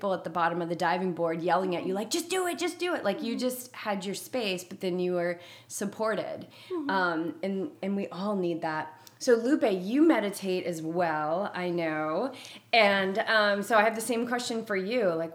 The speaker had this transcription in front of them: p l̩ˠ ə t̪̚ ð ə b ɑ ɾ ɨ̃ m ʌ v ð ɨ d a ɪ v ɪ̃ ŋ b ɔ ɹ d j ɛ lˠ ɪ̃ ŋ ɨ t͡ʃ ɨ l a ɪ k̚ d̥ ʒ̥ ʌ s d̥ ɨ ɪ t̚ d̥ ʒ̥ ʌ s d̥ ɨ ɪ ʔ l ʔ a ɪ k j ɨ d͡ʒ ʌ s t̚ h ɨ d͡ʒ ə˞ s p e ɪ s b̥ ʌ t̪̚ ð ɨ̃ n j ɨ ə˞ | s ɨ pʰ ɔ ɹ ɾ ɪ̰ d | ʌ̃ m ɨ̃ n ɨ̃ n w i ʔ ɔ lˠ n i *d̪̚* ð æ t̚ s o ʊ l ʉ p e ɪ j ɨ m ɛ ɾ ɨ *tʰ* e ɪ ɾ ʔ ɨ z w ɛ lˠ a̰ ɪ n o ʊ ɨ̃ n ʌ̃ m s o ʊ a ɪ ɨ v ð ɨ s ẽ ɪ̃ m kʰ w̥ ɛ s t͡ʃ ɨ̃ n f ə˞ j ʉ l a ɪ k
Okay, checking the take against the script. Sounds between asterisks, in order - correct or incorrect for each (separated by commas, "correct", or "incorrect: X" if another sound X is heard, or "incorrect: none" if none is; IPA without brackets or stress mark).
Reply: correct, correct